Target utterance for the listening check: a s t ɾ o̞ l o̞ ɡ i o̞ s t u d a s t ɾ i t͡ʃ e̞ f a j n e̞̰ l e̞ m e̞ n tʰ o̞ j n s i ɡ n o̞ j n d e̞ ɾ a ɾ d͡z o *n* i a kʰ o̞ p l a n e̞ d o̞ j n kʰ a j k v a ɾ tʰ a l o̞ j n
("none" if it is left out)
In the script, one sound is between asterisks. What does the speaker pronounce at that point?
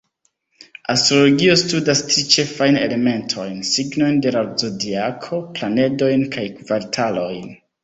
d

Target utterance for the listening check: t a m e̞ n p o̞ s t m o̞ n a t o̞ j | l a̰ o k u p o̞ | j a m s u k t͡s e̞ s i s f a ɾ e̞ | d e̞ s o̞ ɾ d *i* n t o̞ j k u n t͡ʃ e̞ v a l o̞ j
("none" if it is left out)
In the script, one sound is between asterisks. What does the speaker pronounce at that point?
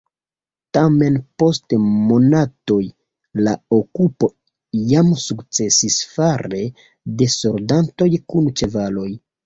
a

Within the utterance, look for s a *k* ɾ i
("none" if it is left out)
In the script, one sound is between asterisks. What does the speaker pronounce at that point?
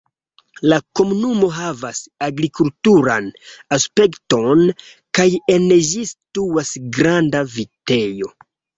ɡ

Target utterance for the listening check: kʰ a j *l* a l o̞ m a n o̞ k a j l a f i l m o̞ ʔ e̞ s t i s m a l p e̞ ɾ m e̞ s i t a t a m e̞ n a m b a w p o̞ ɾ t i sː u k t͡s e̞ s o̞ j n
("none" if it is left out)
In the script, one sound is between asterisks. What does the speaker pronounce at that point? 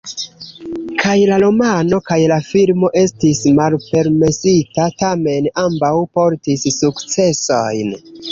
l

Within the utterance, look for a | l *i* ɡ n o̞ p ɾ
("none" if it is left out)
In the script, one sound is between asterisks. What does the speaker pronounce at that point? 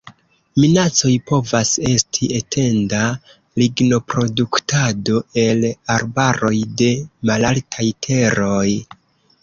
i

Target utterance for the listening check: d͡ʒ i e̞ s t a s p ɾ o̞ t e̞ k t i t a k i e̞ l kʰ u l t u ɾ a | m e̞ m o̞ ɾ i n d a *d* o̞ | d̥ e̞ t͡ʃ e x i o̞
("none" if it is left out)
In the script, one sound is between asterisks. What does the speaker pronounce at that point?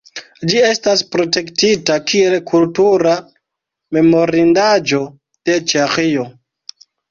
d͡ʒ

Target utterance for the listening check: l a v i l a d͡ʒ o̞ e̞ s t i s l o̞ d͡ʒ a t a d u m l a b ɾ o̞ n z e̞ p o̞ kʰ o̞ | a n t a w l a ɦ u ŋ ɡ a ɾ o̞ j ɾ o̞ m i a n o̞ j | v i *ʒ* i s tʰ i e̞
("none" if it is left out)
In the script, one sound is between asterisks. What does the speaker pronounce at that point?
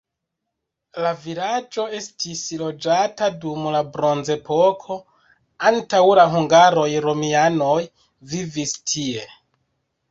v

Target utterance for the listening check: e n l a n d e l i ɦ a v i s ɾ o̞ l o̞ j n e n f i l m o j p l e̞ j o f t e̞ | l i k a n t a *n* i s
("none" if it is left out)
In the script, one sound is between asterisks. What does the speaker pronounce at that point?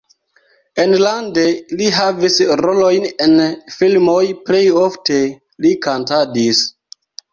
d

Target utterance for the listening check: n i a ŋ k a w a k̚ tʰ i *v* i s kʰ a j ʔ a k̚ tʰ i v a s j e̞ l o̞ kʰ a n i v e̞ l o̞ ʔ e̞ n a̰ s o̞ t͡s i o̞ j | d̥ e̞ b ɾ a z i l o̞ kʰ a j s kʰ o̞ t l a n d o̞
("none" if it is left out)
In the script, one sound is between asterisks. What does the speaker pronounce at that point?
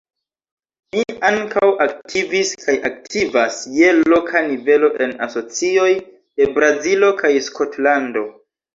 v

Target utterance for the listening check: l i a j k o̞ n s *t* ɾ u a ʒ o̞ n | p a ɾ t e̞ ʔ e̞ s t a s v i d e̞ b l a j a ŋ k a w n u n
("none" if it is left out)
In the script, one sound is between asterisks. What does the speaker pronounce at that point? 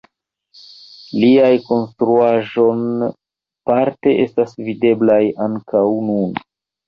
t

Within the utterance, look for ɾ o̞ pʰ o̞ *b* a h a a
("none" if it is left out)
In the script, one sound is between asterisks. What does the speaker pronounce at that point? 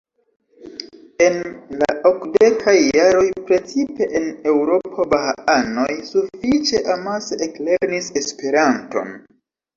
b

